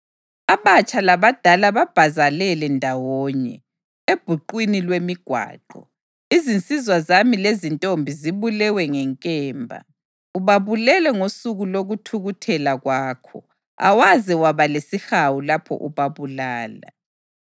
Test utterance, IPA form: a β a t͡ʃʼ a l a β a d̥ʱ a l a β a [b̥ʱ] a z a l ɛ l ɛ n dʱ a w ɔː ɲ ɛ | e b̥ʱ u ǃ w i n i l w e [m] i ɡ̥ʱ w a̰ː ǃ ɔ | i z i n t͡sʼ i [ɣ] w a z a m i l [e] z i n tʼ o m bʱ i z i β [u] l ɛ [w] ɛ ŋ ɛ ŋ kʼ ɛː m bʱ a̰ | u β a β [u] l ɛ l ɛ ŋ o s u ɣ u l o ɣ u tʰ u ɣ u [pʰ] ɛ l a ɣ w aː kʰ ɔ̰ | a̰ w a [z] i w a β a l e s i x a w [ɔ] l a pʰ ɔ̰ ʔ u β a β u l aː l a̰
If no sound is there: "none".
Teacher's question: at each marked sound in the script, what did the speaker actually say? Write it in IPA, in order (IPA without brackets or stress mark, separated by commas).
b̥ʱ, m, z, e, u, w, u, tʰ, z, u